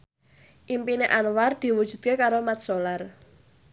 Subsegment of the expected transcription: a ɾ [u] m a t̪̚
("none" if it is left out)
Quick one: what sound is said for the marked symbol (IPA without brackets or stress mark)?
o